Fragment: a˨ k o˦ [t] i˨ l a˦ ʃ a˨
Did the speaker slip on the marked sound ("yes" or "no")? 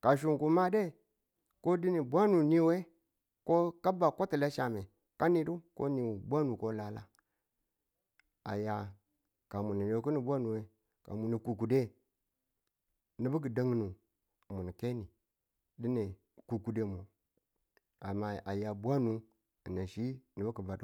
no